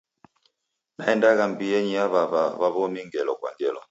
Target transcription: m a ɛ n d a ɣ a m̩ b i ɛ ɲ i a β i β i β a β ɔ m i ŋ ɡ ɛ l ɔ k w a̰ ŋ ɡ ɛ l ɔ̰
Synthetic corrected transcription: n a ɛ n d a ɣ a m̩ b i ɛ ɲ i a β a β a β a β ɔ m i ŋ ɡ ɛ l ɔ k w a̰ ŋ ɡ ɛ l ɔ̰